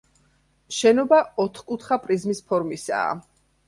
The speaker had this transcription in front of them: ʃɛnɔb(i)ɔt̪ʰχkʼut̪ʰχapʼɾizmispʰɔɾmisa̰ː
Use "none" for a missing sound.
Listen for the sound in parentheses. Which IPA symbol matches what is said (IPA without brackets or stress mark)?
a